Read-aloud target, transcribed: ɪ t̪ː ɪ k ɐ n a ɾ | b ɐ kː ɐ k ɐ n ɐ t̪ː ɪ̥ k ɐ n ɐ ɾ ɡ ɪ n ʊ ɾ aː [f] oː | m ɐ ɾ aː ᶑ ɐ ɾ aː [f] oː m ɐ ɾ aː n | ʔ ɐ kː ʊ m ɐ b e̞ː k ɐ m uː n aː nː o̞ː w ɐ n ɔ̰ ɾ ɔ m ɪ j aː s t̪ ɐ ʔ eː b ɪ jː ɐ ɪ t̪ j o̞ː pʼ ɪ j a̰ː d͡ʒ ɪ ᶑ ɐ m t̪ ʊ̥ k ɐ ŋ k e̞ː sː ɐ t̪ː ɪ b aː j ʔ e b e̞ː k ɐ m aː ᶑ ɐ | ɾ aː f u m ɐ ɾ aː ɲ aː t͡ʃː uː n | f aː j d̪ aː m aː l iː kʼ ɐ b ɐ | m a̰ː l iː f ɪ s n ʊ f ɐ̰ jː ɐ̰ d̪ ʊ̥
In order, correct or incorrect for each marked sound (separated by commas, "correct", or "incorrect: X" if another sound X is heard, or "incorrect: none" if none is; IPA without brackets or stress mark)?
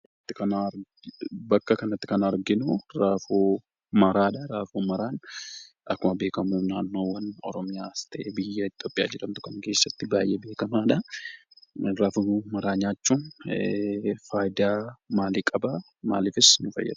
correct, correct